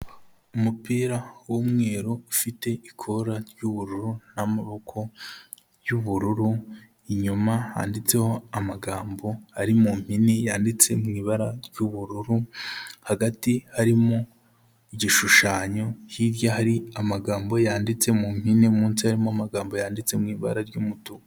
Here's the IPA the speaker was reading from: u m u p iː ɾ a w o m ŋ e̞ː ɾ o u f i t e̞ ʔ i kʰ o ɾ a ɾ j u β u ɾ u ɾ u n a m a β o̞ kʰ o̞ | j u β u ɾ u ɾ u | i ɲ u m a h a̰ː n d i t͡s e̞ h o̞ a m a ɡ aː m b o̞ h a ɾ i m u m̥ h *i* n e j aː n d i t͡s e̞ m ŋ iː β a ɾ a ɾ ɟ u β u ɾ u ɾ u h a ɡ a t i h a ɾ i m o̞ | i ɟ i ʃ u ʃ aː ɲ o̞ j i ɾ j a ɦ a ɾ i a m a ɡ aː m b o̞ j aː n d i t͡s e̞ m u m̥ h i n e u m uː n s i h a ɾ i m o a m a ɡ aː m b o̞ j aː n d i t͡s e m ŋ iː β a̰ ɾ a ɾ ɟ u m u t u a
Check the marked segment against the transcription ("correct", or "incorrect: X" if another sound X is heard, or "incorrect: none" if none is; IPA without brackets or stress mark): correct